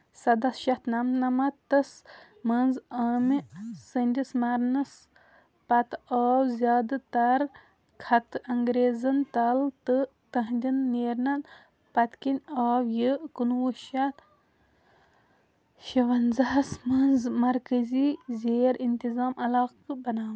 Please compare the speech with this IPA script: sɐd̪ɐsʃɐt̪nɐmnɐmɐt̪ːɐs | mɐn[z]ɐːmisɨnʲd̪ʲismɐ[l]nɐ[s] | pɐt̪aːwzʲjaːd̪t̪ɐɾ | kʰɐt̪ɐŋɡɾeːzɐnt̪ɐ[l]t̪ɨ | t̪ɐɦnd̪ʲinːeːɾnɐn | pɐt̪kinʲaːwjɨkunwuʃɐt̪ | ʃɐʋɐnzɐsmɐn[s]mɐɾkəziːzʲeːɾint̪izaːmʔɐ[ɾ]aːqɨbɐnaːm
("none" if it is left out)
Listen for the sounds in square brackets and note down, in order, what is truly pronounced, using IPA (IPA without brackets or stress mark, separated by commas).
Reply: z, ɾ, s, l, z, l